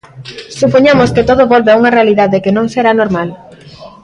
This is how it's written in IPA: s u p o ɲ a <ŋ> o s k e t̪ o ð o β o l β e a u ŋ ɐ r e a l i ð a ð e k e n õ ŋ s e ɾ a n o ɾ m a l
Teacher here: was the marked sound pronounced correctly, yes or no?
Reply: no